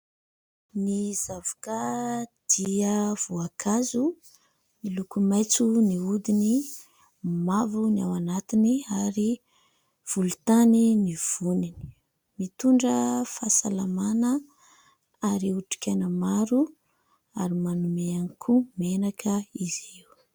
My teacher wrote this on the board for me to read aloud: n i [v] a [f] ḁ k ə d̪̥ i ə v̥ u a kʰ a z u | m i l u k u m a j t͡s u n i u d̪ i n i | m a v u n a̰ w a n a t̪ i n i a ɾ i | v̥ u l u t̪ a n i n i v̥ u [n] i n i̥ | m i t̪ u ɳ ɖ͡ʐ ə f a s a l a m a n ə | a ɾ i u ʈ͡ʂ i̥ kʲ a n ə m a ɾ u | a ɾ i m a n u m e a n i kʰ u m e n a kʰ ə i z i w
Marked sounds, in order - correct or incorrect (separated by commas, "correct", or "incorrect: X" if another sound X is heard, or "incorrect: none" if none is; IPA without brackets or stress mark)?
incorrect: z, incorrect: v, correct